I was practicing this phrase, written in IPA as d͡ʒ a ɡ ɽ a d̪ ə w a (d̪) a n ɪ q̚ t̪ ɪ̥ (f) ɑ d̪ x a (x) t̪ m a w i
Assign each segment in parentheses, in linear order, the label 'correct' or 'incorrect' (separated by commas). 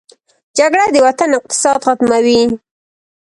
incorrect, incorrect, incorrect